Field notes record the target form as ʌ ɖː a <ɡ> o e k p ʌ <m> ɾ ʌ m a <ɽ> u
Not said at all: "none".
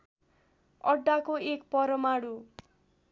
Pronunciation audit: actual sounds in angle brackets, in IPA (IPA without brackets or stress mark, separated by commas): k, none, ɽ